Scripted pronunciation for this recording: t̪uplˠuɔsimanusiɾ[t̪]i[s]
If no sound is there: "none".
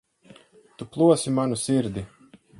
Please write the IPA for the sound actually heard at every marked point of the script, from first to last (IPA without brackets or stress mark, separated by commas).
d̪, none